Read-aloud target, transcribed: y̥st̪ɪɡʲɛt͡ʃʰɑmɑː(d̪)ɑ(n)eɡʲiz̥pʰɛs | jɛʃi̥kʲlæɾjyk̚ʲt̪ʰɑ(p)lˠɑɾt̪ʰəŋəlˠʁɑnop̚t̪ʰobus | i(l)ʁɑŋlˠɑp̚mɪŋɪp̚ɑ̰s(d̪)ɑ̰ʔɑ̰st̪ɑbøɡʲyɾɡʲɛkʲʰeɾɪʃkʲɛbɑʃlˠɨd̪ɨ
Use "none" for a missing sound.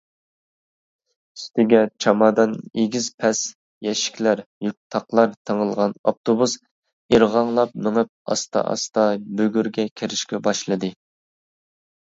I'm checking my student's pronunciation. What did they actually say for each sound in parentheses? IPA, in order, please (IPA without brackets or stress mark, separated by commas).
d̪, n, q, ɾ, t̪